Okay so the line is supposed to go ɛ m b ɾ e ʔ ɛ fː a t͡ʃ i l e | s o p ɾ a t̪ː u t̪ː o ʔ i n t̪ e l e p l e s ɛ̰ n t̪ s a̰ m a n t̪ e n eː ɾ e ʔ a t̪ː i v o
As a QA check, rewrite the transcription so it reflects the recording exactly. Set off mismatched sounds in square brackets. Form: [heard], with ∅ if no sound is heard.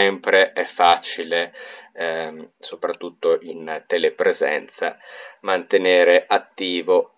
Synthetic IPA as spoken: ɛ m [p] ɾ e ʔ ɛ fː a t͡ʃ i l e | s o p ɾ a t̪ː u t̪ː o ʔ i n t̪ e l e p [ɾ] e [z] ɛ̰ n t̪ s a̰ m a n t̪ e n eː ɾ e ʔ a t̪ː [iː] v o